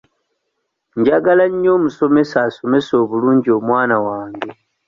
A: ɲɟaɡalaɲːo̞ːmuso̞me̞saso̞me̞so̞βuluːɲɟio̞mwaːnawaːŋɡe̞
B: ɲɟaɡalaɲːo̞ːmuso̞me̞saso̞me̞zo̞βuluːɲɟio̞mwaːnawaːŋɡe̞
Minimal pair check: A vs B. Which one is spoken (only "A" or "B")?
A